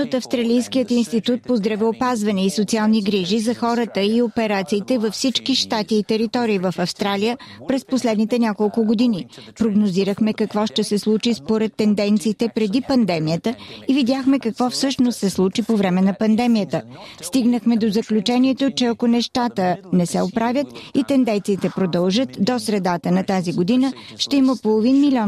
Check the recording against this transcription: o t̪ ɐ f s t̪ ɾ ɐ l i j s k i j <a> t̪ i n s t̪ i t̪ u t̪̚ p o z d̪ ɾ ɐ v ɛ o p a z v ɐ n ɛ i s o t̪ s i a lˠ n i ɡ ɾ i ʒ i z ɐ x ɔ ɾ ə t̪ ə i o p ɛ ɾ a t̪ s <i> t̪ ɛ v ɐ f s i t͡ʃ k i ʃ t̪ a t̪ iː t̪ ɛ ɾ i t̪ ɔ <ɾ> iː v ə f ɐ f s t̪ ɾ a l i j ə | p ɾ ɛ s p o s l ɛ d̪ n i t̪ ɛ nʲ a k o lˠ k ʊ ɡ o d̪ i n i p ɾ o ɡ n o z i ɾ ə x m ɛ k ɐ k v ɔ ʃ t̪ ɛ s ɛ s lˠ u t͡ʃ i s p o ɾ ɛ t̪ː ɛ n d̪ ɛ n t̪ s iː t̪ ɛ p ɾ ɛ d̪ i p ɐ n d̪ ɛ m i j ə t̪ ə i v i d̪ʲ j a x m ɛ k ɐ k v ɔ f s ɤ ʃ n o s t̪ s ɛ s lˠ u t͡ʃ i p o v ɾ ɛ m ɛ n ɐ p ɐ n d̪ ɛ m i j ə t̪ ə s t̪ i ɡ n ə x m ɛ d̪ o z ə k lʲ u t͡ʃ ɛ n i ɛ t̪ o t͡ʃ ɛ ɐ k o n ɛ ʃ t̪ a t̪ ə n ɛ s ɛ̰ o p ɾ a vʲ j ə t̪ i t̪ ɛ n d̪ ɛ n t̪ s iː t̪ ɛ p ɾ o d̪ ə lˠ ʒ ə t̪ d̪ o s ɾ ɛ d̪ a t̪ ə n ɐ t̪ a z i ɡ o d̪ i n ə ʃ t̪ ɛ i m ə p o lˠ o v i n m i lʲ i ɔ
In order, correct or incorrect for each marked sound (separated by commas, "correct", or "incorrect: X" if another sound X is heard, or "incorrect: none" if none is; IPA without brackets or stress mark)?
incorrect: ə, incorrect: iː, correct